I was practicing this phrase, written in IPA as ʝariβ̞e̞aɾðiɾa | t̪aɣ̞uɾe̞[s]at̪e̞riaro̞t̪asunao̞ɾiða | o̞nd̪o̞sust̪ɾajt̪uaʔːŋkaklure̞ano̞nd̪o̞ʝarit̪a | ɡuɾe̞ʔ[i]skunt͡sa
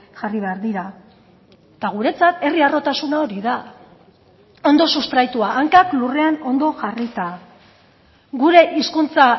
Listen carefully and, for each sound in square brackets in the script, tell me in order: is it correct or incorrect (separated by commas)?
incorrect, correct